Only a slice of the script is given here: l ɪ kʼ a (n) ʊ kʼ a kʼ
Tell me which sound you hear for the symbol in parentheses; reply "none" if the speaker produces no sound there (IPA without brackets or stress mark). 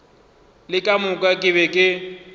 m